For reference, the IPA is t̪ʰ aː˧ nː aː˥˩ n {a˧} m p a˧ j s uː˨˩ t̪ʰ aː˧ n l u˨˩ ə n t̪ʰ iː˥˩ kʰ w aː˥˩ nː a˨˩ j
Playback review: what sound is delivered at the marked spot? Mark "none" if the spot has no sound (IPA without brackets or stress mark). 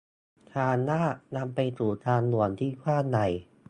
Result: a˧